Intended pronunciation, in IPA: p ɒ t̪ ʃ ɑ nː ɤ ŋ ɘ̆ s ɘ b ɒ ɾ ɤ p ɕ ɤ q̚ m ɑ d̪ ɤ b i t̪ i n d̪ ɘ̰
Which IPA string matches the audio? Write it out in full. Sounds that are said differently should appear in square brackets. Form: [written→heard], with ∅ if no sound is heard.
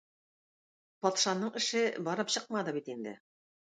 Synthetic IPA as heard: p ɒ t̪ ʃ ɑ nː ɤ [ŋ→ɴ] ɘ̆ [s→ʃ] ɘ b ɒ ɾ ɤ p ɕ ɤ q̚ m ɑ d̪ ɤ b i t̪ i n d̪ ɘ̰